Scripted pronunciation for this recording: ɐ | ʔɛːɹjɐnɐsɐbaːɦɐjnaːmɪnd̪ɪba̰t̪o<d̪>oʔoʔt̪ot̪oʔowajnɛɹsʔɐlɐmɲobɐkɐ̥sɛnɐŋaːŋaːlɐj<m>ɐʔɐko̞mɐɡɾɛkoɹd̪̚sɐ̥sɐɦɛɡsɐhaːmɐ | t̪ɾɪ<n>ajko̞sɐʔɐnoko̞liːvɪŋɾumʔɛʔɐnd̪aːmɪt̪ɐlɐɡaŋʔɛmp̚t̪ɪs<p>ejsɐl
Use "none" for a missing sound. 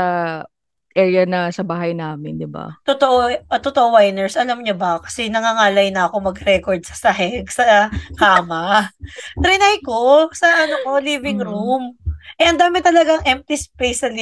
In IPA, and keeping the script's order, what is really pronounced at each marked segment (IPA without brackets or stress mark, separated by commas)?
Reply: t̪, n, n, p